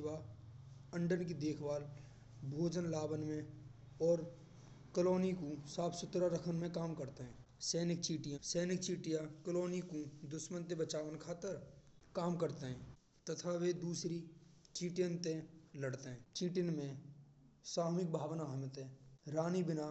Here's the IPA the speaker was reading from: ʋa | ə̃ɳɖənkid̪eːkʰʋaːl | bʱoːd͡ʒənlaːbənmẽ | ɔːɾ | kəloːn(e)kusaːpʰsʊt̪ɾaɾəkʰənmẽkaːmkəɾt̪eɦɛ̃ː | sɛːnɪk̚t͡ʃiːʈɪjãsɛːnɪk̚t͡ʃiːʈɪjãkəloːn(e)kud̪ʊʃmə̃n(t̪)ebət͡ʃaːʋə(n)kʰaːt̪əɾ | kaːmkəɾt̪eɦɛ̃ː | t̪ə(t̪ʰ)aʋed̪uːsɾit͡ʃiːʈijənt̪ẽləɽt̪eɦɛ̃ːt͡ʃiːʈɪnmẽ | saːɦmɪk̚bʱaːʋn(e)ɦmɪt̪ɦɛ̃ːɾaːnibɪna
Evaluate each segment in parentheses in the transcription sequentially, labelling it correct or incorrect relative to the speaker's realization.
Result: incorrect, incorrect, correct, correct, correct, incorrect

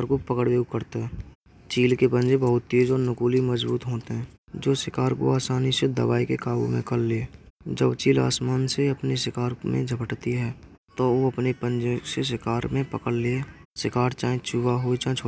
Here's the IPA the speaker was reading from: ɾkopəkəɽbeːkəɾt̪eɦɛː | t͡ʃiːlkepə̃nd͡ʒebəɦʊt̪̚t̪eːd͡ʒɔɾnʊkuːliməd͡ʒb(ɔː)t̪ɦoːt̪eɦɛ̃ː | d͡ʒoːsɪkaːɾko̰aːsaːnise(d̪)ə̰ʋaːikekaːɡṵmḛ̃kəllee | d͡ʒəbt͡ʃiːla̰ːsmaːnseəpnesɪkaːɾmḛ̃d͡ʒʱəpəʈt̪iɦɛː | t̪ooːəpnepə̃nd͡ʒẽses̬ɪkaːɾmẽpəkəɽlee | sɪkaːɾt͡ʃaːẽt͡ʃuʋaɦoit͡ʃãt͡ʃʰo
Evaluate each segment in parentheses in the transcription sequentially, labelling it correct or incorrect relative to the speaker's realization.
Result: incorrect, correct

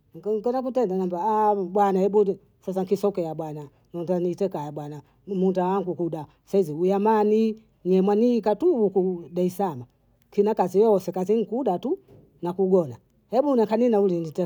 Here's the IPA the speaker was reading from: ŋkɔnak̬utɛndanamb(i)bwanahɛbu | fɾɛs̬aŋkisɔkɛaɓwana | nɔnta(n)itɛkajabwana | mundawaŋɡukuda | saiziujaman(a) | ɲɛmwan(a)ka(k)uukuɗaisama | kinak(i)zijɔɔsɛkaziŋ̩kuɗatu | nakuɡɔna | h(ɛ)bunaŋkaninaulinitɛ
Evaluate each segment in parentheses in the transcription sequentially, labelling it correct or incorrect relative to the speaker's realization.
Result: incorrect, correct, incorrect, incorrect, incorrect, incorrect, correct

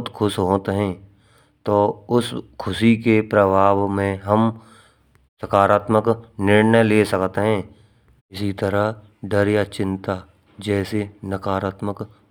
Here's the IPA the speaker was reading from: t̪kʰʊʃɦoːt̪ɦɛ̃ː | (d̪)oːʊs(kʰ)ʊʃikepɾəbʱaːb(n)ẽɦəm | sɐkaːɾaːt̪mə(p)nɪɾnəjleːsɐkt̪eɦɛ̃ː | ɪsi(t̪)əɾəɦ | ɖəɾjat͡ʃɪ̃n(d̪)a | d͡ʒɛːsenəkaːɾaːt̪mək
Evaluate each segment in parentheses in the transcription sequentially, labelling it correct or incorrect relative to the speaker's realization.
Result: incorrect, correct, incorrect, incorrect, correct, incorrect

